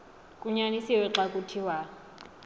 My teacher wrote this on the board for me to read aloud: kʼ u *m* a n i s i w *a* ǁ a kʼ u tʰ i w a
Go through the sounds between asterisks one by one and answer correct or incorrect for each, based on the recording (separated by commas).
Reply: incorrect, incorrect